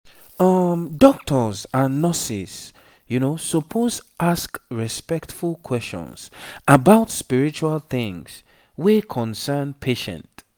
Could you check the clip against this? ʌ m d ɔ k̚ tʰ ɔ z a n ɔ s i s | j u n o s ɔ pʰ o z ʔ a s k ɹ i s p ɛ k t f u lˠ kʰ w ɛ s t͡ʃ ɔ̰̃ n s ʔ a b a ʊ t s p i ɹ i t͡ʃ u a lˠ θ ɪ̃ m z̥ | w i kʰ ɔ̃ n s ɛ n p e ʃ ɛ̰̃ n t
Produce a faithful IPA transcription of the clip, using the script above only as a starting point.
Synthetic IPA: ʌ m d ɔ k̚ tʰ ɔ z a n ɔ s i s | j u n o s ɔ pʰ o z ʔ a s k ɹ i s p ɛ k t f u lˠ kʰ w ɛ s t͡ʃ ɔ̰̃ n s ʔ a b a ʊ t s p i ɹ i t͡ʃ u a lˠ θ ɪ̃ ŋ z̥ | w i kʰ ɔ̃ n s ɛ n pʰ e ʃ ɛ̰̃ n t